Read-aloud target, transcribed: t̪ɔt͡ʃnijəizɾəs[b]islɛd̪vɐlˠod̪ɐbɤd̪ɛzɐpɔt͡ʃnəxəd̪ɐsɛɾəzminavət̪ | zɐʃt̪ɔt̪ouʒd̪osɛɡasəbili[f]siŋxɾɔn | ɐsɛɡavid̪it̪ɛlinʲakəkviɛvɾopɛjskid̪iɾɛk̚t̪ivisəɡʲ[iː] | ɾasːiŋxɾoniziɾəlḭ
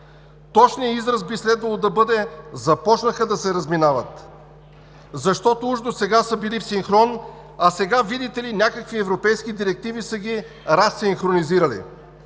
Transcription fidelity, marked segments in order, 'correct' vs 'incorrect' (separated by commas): correct, correct, incorrect